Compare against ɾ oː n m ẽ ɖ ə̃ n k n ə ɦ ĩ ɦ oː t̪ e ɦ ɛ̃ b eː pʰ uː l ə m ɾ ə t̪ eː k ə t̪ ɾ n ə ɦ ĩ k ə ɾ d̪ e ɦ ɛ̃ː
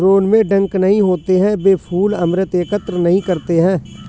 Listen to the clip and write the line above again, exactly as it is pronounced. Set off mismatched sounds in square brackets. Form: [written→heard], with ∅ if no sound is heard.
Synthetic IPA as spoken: ɾ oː n m ẽ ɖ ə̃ [n→ŋ] k n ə ɦ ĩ ɦ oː t̪ e ɦ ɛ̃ b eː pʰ uː l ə m ɾ ə t̪ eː k ə t̪ ɾ n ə ɦ ĩ k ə ɾ [d̪→t̪] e ɦ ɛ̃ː